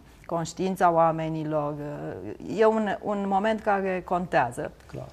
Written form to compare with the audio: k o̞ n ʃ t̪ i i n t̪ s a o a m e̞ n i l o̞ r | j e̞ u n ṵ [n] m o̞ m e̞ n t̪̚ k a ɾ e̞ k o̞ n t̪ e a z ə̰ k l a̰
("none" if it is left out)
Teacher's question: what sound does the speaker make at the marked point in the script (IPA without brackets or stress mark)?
n